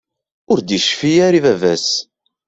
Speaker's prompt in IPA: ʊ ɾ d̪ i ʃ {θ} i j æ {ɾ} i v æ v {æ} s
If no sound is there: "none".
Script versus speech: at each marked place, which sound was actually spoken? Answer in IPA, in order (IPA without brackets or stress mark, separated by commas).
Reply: f, ɾ, æ